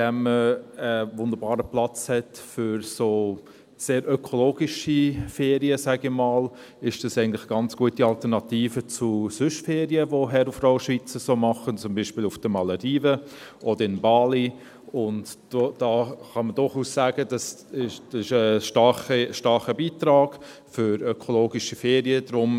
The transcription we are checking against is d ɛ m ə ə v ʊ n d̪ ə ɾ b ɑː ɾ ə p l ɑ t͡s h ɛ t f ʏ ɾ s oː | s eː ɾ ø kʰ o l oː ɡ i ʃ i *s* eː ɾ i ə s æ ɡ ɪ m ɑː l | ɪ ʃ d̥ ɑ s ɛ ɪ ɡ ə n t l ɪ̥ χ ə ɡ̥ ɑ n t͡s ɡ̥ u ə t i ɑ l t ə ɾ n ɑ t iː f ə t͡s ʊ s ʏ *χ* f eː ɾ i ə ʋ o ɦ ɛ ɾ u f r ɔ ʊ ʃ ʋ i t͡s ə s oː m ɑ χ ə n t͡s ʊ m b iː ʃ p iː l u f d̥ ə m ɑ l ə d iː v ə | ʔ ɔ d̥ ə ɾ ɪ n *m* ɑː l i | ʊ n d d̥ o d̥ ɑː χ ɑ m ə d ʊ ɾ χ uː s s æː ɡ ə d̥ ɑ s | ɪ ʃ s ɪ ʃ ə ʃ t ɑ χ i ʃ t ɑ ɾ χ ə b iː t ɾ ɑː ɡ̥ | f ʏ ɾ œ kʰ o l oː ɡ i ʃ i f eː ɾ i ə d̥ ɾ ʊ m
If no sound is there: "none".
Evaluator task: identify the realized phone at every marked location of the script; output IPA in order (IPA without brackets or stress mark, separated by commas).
f, ʃ, b